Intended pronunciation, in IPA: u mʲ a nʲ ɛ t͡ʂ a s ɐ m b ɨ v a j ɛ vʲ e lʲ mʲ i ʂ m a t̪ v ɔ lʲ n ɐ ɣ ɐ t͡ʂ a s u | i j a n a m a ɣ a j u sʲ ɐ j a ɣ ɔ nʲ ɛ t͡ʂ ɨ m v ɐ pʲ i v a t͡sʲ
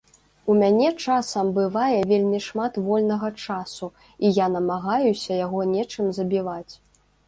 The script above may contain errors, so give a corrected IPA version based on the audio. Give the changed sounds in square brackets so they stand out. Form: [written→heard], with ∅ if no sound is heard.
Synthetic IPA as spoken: u mʲ a nʲ ɛ t͡ʂ a s ɐ m b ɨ v a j ɛ vʲ e lʲ mʲ i ʂ m a t̪ v ɔ lʲ n ɐ ɣ ɐ t͡ʂ a s u | i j a n [a→ɐ] m a ɣ a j u sʲ ɐ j a ɣ ɔ nʲ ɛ t͡ʂ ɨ m [v→z] ɐ [pʲ→bʲ] i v a t͡sʲ